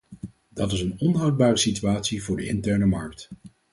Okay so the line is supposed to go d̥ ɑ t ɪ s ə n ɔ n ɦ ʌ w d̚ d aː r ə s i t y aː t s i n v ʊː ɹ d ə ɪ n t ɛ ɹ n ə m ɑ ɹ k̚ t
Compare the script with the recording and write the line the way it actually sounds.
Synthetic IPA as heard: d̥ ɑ t ɪ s ə n ɔ n ɦ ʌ w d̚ b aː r ə s i t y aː t s i v ʊː ɹ d ə ɪ n t ɛ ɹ n ə m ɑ ɹ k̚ t

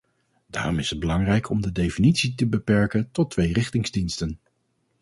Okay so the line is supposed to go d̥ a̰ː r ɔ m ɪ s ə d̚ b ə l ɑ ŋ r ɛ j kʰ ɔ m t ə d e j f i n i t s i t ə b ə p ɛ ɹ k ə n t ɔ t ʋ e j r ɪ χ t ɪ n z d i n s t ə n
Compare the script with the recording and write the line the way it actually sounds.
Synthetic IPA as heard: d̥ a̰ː r ɔ m ɪ s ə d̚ b ə l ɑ ŋ r ɛ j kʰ ɔ m d ə d e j f i n i t s i t ə b ə p ɛ ɹ k ə n t ɔ t ʋ e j r ɪ χ t ɪ ŋ z d i n s t ə n

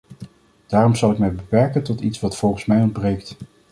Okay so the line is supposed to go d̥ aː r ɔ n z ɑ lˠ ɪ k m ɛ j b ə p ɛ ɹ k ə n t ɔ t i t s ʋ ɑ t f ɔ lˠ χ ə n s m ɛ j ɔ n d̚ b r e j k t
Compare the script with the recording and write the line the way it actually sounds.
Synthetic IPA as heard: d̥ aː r ɔ m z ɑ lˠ ɪ k m ɛ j b ə p ɛ ɹ k ə n t ɔ t i t s ʋ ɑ t f ɔ lˠ χ ə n s m ɛ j ɔ n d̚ b r e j k t

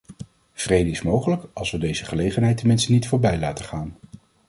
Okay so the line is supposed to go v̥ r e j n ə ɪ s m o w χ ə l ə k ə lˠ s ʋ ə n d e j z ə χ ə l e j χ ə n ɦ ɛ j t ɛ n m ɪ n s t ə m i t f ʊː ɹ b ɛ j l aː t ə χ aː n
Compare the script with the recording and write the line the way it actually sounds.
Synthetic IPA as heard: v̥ r e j d ə ɪ s m o w χ ə l ə k ɑ lˠ s ʋ ə d e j z ə χ ə l e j χ ə n ɦ ɛ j t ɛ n m ɪ n s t ə n i t f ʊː ɹ b ɛ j l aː t ə χ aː n

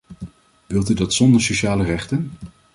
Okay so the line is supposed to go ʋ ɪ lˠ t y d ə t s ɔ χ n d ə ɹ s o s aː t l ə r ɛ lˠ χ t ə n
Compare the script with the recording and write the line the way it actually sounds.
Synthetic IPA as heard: ʋ ɪ lˠ t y d ɑ t s ɔ n d ə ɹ s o ʃ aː l ə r ɛ χ t ə n

